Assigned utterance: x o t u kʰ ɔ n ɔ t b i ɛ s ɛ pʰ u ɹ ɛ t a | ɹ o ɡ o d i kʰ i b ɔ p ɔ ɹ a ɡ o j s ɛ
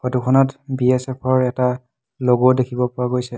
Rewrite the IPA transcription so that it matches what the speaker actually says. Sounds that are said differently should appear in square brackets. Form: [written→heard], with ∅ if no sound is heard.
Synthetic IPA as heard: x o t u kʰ ɔ n ɔ t b i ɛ s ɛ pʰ [u→ɔ] ɹ ɛ t a | [ɹ→l] o ɡ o d [i→e] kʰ i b ɔ p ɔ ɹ a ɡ o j s ɛ

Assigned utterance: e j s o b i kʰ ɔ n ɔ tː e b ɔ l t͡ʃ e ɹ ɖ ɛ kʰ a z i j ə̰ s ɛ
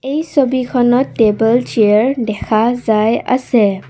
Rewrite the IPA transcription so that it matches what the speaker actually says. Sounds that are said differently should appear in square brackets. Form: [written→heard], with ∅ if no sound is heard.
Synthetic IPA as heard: e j s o b i kʰ ɔ n ɔ tː e b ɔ l t͡ʃ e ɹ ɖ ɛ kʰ a z [i→a] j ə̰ s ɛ

